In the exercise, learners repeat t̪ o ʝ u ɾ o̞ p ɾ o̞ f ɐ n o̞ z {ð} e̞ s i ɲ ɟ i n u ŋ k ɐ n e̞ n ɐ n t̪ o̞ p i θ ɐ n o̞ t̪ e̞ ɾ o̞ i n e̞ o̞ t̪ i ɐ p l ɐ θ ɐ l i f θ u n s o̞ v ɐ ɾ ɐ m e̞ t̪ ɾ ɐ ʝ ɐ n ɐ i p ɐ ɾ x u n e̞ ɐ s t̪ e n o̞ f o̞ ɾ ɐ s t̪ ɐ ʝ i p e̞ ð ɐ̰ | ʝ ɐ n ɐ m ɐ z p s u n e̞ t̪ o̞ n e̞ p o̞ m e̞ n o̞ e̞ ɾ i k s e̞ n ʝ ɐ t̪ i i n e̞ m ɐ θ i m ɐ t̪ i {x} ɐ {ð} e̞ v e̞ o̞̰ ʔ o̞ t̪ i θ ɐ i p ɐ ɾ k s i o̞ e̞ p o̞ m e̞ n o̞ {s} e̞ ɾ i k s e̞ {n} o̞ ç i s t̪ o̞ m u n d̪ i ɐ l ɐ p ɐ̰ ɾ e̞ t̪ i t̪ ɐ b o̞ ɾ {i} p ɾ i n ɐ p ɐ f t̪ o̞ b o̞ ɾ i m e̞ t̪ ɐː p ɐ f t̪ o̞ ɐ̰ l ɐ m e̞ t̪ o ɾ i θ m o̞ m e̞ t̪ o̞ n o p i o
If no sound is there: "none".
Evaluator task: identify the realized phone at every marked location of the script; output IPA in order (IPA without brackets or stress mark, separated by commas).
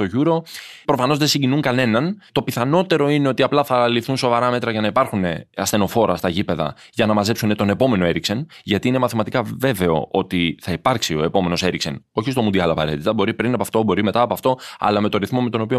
ð, k, v, s, n, i